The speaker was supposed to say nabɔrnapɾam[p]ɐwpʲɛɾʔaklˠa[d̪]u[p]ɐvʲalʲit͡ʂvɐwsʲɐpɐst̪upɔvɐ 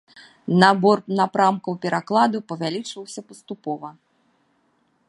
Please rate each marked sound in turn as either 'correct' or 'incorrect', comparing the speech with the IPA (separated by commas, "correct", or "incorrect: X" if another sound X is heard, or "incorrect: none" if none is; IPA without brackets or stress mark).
incorrect: k, correct, correct